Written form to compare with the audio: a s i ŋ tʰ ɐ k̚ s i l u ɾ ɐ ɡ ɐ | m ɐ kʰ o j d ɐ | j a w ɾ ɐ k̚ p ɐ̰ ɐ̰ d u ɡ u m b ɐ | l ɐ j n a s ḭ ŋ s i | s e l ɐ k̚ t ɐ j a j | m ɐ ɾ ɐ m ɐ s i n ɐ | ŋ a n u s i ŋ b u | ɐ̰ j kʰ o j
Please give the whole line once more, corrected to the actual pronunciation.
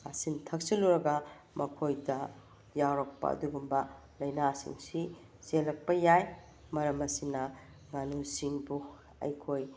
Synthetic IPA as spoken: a s i n tʰ ɐ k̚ s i l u ɾ ɐ ɡ ɐ | m ɐ kʰ o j d ɐ | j a w ɾ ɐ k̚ p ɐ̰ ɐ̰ d u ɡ u m b ɐ | l ɐ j n a s ḭ ŋ s i | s e l ɐ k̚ p ɐ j a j | m ɐ ɾ ɐ m ɐ s i n ɐ | ŋ a n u s i ŋ b u | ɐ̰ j kʰ o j